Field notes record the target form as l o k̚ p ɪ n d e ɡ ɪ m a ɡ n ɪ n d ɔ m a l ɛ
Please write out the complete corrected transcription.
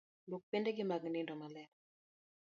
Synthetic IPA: l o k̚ p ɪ n d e ɡ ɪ m a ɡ n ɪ n d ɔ m a l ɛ